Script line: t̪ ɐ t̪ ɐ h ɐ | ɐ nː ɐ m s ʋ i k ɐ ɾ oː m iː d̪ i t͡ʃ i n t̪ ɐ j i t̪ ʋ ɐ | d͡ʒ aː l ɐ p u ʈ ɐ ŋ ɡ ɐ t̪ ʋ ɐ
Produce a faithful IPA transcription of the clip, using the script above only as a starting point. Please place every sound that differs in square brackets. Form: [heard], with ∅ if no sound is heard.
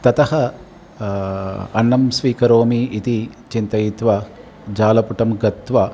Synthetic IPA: t̪ ɐ t̪ ɐ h ɐ | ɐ nː ɐ m s ʋ [iː] k ɐ ɾ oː m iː [t̪] i t͡ʃ i n t̪ ɐ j i t̪ ʋ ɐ | d͡ʒ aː l ɐ p u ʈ ɐ [m] ɡ ɐ t̪ ʋ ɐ